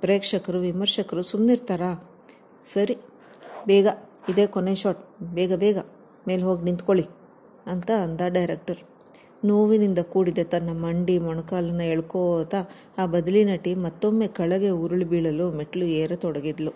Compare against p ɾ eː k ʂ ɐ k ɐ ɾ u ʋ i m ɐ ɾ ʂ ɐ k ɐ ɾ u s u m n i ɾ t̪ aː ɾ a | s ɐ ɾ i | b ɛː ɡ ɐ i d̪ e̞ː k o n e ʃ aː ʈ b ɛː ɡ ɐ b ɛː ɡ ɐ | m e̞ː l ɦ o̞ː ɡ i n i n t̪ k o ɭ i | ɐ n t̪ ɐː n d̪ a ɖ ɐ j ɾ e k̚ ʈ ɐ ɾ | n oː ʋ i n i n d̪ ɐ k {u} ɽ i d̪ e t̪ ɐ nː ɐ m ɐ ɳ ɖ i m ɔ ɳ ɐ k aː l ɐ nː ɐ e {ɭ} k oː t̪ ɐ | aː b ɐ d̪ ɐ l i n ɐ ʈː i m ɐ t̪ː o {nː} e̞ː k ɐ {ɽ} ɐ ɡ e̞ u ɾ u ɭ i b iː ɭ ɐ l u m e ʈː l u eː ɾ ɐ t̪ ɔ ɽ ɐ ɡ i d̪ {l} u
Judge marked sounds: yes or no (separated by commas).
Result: no, yes, no, no, yes